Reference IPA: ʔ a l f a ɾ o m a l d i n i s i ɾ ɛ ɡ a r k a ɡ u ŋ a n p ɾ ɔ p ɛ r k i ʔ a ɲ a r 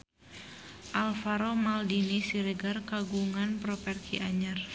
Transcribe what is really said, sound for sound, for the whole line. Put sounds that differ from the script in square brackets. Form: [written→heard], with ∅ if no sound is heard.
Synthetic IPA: ʔ a l f a ɾ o m a l d i n i s i ɾ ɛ ɡ a r k a ɡ u ŋ a n p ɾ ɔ p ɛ r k i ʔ a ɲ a r